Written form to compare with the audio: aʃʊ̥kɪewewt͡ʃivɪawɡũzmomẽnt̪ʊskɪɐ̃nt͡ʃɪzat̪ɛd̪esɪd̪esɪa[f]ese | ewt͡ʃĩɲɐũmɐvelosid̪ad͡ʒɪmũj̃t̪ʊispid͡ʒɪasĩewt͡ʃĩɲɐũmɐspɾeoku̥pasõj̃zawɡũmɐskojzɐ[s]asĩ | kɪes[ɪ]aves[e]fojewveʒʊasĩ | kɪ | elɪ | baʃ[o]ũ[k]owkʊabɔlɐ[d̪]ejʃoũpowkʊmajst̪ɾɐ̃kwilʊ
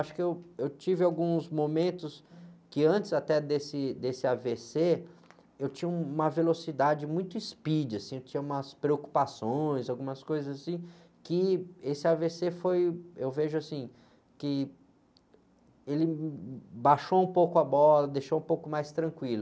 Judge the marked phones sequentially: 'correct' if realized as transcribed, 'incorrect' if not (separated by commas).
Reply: incorrect, incorrect, correct, correct, correct, incorrect, correct